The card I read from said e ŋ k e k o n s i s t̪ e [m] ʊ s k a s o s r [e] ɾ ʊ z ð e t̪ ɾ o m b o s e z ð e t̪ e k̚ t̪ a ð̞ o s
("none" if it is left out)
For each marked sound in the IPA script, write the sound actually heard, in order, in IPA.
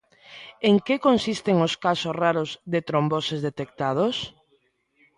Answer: ŋ, a

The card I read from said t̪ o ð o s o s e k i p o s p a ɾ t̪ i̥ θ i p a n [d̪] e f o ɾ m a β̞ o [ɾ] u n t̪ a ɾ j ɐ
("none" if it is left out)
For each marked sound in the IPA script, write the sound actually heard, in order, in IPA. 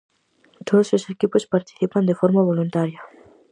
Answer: d̪, l

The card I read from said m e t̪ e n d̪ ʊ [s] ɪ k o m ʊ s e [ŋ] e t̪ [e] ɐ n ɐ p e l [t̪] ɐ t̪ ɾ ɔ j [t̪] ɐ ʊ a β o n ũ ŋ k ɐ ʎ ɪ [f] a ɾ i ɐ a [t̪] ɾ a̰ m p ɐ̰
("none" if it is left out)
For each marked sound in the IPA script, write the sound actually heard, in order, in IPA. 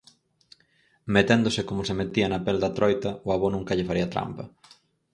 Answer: s, m, i, d̪, t̪, f, t̪

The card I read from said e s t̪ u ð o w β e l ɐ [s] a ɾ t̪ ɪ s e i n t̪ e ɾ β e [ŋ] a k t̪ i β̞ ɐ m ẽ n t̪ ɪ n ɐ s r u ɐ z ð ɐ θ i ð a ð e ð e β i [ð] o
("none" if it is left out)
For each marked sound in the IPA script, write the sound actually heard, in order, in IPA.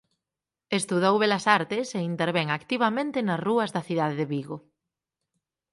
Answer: s, ŋ, ɣ

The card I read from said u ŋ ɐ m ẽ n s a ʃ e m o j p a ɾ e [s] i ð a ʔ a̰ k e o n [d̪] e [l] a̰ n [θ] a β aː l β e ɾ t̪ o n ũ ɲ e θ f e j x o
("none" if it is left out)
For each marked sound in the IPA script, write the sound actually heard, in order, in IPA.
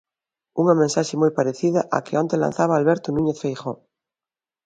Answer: θ, t̪, l, θ

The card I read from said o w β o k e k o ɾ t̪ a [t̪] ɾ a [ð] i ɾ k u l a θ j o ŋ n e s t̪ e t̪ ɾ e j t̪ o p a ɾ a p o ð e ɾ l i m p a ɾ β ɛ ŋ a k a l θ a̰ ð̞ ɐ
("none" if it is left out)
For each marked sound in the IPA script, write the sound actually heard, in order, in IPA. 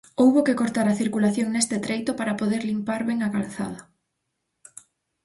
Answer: none, θ

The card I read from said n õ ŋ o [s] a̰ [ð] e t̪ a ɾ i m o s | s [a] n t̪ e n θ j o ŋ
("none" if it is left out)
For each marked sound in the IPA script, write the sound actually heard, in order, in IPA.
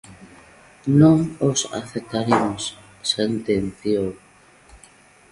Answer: s, θ, e

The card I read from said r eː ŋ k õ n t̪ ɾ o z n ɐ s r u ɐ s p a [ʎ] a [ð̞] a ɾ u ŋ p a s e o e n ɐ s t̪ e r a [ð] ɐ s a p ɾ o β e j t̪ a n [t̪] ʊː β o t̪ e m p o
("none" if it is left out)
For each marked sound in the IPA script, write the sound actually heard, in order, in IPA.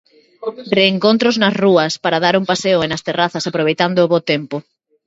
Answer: ɾ, ð̞, θ, d̪

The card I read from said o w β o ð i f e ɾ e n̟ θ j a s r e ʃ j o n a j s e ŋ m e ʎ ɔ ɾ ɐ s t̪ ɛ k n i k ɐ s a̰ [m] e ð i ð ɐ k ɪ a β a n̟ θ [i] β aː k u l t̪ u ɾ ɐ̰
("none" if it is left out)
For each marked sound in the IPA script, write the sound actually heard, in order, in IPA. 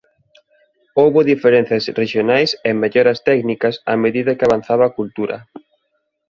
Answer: m, a

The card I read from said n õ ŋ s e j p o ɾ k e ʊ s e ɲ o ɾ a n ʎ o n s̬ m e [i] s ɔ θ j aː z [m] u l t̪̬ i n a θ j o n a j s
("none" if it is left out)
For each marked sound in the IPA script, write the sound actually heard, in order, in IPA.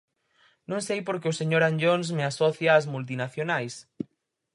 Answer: a, m

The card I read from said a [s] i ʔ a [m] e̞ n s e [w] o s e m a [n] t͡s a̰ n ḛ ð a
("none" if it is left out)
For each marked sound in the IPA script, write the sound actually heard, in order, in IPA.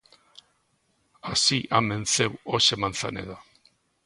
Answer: s, m, w, n

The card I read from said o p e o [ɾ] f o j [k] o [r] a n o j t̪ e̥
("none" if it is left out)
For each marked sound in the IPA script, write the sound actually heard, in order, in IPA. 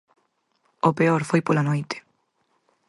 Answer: ɾ, p, l

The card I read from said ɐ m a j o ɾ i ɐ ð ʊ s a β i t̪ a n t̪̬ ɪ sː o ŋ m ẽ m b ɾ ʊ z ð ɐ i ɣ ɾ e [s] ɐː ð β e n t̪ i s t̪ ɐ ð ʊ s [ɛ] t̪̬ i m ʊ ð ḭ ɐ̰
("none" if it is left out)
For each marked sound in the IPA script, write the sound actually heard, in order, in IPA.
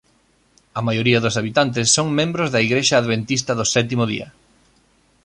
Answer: ʃ, ɛ

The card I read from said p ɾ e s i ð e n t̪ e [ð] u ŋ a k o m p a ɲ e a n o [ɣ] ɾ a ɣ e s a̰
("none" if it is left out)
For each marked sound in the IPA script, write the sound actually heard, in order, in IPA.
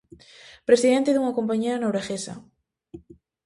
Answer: ð, w

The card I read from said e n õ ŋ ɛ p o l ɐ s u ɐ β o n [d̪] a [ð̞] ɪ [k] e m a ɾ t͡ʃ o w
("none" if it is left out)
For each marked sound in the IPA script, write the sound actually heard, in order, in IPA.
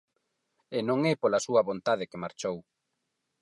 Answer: t̪, ð̞, k

